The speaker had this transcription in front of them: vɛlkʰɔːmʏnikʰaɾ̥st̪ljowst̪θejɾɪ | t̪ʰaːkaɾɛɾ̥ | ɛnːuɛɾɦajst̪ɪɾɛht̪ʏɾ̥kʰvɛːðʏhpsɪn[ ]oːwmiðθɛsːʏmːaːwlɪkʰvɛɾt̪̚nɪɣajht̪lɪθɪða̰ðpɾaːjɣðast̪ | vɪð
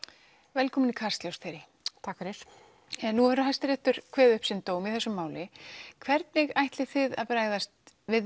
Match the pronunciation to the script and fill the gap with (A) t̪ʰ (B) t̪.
B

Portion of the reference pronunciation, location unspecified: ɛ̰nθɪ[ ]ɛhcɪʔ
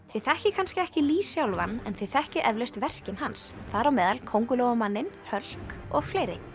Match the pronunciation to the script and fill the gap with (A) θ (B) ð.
A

